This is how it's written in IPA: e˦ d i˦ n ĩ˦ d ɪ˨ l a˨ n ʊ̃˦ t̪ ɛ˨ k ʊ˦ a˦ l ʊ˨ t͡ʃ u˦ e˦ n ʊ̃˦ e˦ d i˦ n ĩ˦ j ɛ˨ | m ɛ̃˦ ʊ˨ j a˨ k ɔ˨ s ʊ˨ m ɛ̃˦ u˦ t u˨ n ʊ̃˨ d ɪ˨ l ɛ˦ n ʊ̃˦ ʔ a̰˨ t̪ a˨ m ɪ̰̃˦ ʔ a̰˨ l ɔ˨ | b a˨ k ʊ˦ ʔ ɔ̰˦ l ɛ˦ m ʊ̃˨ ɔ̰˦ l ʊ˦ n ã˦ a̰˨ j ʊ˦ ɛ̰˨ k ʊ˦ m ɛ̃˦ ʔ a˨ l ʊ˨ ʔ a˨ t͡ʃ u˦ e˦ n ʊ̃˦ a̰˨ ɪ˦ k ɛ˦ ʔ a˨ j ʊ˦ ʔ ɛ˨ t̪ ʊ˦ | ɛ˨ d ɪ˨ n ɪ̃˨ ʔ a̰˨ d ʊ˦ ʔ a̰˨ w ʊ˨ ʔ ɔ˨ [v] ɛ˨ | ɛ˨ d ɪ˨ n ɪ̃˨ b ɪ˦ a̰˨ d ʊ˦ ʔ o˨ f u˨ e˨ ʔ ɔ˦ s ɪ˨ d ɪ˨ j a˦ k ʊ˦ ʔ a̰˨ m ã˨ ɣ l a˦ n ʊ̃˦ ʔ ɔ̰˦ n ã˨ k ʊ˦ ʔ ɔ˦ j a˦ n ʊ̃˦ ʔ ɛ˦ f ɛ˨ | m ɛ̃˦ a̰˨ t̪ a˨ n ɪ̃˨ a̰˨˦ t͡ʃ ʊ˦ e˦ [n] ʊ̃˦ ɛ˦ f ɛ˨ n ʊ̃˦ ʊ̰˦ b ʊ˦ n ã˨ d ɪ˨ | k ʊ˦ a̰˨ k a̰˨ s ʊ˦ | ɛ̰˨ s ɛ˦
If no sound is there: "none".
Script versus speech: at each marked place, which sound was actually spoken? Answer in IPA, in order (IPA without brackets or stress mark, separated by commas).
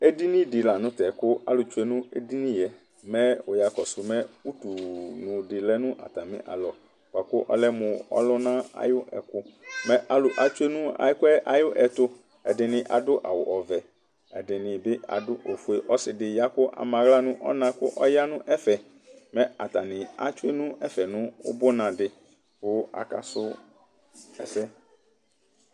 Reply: v, n